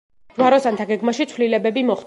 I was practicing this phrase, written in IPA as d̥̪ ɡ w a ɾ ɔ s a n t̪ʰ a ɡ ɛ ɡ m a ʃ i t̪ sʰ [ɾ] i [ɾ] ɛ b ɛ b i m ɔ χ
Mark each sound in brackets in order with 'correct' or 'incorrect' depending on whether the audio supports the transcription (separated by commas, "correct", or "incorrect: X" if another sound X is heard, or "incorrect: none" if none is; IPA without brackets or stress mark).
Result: incorrect: l, incorrect: l